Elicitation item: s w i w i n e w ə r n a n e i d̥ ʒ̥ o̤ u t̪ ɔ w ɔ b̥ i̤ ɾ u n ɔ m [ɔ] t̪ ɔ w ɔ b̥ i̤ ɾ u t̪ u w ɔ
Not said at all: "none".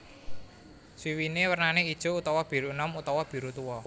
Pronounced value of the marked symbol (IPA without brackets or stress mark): u